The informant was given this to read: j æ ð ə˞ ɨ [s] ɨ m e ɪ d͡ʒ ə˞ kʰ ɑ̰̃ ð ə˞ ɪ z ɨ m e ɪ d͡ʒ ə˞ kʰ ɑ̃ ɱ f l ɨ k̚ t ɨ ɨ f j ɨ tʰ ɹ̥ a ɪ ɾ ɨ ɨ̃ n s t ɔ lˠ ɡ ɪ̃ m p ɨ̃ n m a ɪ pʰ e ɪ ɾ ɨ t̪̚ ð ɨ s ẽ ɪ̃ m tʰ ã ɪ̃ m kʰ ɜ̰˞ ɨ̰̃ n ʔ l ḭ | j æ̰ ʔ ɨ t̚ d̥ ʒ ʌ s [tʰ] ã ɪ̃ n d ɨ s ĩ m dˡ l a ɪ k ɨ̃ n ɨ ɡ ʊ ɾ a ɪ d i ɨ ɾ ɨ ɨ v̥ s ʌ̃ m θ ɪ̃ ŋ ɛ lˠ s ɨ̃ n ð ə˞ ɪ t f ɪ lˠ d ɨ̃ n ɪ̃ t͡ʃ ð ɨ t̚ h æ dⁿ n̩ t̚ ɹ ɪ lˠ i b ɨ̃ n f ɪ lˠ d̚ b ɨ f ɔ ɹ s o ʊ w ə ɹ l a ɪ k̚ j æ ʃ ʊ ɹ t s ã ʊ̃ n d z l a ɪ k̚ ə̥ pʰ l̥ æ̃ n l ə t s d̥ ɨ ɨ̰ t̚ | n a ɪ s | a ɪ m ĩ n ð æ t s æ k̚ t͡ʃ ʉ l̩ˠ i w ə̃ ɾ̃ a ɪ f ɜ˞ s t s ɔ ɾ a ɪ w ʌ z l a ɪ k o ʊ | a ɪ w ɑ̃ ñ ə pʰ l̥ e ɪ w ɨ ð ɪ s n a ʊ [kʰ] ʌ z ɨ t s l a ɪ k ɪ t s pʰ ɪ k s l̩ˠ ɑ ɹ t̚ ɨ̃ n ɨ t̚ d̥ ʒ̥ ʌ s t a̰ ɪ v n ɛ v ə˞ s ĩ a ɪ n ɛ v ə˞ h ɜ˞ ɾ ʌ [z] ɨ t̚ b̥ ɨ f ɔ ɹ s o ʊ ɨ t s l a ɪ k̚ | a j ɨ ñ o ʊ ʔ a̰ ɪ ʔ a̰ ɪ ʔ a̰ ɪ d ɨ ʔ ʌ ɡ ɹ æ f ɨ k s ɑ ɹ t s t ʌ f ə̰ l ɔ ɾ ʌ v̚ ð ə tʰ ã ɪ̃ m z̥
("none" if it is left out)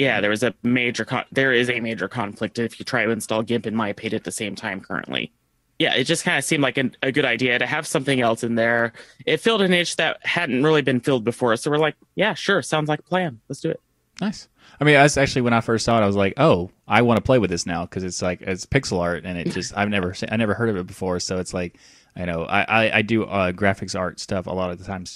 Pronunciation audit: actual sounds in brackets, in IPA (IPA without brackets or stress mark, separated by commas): z, kʰ, kʰ, v